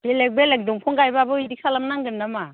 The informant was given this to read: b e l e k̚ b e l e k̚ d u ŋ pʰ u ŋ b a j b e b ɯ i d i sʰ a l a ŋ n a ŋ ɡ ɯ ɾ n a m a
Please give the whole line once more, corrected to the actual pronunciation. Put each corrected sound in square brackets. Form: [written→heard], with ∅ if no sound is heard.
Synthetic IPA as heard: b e l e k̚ b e l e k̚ d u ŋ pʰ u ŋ [b→ɡ] a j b [e→a] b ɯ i d i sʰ a l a [ŋ→m] n a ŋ ɡ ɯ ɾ n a m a